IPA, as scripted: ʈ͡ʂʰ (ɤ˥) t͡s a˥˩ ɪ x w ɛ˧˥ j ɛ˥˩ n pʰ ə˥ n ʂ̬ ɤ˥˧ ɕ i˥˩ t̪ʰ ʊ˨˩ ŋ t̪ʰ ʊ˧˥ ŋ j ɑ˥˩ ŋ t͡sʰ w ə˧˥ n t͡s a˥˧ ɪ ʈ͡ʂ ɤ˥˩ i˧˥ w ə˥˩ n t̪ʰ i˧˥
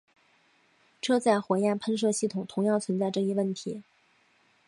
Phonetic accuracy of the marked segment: correct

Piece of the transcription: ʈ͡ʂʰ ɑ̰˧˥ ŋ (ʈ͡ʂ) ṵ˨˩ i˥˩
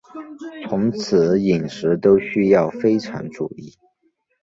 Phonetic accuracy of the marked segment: correct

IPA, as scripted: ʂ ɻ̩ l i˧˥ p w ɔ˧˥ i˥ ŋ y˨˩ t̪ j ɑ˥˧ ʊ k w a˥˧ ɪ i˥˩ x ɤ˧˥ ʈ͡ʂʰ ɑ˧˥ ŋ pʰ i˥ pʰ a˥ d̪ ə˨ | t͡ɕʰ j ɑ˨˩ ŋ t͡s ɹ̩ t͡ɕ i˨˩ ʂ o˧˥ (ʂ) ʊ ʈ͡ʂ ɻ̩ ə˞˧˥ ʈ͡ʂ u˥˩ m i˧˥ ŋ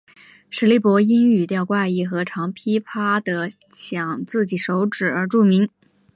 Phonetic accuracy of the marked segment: incorrect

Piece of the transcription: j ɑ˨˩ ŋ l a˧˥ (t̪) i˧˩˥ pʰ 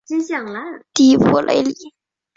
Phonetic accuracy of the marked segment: correct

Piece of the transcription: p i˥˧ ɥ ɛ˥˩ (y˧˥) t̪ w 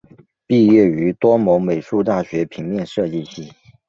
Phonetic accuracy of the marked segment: correct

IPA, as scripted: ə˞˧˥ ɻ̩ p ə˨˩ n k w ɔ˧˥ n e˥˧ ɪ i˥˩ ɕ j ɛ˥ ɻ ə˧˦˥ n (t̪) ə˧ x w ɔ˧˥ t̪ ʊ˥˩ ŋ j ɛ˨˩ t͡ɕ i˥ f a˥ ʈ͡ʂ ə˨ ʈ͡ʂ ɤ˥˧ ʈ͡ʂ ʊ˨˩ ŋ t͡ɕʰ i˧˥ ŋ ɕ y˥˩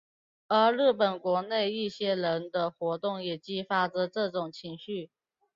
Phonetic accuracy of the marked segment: incorrect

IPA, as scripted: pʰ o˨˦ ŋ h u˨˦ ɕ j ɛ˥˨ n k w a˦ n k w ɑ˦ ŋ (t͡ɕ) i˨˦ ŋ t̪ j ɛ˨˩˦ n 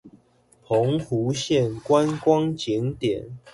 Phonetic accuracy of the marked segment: correct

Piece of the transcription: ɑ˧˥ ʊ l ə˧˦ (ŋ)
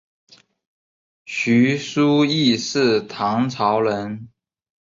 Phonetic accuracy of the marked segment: incorrect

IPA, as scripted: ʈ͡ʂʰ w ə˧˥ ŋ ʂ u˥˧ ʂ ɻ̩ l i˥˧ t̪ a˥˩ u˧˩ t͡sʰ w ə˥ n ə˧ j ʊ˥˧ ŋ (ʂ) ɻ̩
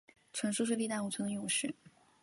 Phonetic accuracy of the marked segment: correct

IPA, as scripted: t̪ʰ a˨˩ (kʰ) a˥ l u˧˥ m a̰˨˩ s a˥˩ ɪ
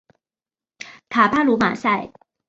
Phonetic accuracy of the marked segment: incorrect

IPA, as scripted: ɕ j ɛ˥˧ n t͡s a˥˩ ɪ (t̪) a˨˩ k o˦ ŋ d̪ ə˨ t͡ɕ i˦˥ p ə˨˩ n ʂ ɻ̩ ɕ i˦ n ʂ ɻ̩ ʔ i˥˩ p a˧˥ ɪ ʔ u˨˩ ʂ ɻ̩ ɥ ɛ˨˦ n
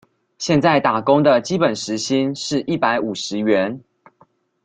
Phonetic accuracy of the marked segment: correct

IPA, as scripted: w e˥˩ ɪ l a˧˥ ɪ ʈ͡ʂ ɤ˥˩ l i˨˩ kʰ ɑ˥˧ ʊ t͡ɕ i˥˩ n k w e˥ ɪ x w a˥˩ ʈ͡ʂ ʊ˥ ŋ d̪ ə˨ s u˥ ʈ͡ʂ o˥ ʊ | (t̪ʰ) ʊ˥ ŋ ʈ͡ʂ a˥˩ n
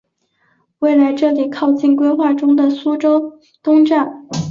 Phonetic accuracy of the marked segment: incorrect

